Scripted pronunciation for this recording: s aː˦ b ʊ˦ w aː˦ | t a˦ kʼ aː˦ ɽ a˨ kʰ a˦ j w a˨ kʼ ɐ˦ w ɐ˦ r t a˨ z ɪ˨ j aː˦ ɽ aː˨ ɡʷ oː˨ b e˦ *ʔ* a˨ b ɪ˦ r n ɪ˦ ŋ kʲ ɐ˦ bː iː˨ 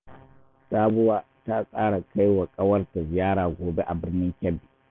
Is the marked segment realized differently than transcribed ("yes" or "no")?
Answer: no